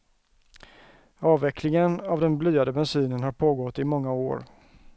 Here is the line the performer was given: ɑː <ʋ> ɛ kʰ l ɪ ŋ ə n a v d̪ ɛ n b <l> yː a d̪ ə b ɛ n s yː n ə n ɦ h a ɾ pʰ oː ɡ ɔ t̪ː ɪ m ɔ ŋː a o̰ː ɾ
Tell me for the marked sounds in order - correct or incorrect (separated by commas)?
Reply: incorrect, correct